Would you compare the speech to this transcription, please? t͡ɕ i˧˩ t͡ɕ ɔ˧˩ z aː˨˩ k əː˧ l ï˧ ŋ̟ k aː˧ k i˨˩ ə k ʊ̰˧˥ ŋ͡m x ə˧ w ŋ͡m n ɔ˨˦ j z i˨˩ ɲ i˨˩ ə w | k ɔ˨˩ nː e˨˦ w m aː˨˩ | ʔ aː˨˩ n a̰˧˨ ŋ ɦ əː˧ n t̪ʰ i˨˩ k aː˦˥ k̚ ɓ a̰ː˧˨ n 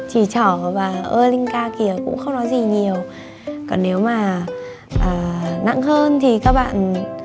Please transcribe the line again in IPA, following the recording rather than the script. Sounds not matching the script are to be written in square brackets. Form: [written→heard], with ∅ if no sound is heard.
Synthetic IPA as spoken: t͡ɕ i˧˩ t͡ɕ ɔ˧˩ [z→v] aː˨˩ [k→ʔ] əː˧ l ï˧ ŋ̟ k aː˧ k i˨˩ ə k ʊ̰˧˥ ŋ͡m x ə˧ w ŋ͡m n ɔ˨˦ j z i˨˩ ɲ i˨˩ ə w | k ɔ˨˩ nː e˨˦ w m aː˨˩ | ʔ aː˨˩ n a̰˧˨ ŋ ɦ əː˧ n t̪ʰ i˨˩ k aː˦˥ k̚ ɓ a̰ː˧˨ n